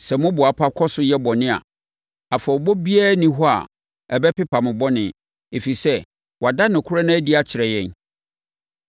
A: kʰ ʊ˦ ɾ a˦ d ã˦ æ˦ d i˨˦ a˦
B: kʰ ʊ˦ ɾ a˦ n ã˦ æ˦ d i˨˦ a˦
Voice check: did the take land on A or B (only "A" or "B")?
B